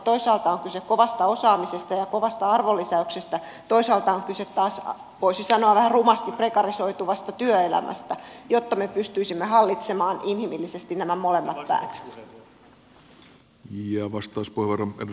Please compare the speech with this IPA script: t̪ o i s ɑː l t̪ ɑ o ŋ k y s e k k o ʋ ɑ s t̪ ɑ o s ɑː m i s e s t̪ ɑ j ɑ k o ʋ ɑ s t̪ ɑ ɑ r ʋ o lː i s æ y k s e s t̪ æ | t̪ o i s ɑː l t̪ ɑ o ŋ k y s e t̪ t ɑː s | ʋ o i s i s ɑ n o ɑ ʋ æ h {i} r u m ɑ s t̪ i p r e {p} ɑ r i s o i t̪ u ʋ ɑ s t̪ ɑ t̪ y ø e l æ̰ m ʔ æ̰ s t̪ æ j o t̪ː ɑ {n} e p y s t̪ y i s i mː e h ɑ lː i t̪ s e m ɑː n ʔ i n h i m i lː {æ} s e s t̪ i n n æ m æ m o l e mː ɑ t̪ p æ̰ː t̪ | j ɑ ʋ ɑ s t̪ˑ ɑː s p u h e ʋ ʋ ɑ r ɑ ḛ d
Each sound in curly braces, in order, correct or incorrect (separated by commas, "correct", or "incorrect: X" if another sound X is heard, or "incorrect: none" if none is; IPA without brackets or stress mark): incorrect: æ, incorrect: k, incorrect: m, incorrect: i